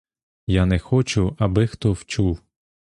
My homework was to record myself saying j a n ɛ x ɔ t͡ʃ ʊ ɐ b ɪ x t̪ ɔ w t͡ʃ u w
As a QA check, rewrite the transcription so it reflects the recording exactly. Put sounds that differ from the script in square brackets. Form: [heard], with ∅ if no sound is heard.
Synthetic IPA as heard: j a n ɛ x ɔ t͡ʃ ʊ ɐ b ɪ x t̪ ɔ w t͡ʃ u w

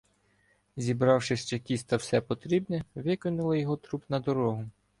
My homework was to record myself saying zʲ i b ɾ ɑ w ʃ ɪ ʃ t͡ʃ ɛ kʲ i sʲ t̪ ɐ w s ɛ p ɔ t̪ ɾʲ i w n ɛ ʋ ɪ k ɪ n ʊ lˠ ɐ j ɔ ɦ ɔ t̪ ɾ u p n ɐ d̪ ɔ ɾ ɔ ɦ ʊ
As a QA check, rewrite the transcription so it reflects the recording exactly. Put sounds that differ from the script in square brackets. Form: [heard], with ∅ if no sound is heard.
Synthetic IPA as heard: zʲ i b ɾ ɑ w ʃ ɪ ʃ t͡ʃ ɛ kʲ i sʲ t̪ ɐ w s ɛ p ɔ t̪ ɾʲ i [b] n ɛ ʋ ɪ k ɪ n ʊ lˠ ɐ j ɔ ɦ ɔ t̪ ɾ u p n ɐ d̪ ɔ ɾ ɔ ɦ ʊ

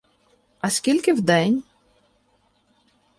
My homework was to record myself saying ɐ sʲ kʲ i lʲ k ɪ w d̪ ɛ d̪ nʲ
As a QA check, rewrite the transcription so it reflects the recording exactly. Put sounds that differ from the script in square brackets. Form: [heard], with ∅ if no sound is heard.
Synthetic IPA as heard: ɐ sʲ kʲ i lʲ k ɪ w d̪ ɛ [∅] nʲ

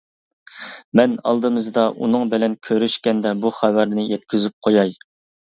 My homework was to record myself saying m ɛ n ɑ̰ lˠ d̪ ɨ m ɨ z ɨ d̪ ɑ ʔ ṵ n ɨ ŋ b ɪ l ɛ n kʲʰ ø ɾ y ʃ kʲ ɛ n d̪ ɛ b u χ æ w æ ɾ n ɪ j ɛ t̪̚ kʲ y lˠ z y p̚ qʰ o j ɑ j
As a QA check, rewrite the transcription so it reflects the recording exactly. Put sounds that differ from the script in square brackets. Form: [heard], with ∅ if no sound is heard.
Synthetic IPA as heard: m ɛ n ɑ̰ lˠ d̪ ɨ m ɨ z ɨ d̪ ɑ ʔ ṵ n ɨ ŋ b ɪ l ɛ n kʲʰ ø ɾ y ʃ kʲ ɛ n d̪ ɛ b u χ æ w æ ɾ n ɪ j ɛ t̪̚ kʲ y [∅] z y p̚ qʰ o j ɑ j

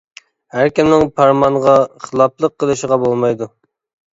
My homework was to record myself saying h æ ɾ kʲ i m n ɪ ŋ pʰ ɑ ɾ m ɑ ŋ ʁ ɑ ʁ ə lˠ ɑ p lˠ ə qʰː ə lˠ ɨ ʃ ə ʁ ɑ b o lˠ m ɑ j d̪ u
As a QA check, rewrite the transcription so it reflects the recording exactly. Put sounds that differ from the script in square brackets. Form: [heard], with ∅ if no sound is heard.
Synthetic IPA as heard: h æ ɾ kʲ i m n ɪ ŋ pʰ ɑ ɾ m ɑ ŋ ʁ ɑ [χ] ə lˠ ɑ p lˠ ə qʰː ə lˠ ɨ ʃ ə ʁ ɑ b o lˠ m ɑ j d̪ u

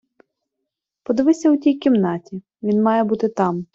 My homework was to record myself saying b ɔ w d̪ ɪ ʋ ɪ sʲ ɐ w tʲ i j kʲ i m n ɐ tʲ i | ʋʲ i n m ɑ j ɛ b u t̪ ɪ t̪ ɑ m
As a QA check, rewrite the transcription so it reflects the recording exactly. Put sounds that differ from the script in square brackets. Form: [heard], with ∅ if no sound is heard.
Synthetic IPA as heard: [p] ɔ [∅] d̪ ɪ ʋ ɪ sʲ ɐ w tʲ i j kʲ i m n [ɑ] tʲ i | ʋʲ i n m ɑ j ɛ b u t̪ ɪ t̪ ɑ m

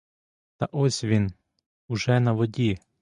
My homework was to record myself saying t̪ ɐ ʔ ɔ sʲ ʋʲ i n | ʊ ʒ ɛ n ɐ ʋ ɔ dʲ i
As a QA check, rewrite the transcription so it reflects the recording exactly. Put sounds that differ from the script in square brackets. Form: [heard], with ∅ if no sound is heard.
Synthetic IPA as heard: t̪ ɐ ʔ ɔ sʲ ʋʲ i n | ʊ ʒ ɛ n ɐ ʋ ɔ dʲ i

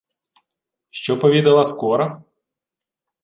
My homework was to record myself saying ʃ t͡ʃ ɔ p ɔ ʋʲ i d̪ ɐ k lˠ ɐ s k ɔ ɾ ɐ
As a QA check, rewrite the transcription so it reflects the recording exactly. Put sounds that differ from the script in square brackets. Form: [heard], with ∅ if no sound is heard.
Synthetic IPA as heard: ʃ t͡ʃ ɔ p ɔ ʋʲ i d̪ ɐ [∅] lˠ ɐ s k ɔ ɾ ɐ

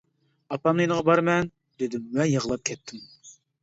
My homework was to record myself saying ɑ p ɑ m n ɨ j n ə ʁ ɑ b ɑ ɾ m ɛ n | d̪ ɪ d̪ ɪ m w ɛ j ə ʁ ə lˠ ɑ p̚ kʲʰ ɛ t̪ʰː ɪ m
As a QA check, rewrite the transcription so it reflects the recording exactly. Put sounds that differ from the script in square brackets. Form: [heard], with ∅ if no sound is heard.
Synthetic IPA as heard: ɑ p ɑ m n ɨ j n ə ʁ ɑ b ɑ ɾ m ɛ n | d̪ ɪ d̪ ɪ m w ɛ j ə ʁ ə lˠ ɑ p̚ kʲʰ ɛ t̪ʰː ɪ m

